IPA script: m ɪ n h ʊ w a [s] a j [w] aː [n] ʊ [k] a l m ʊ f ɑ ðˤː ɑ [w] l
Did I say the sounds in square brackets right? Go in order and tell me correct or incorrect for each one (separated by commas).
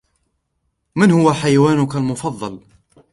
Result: incorrect, correct, correct, correct, incorrect